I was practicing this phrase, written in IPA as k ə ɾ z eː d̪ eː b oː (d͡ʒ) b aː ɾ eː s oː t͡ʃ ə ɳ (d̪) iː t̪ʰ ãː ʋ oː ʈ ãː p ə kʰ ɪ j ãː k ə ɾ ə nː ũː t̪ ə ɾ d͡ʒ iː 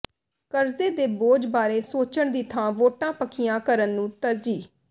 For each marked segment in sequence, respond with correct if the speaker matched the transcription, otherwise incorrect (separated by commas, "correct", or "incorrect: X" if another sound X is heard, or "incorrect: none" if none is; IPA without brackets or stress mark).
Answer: correct, correct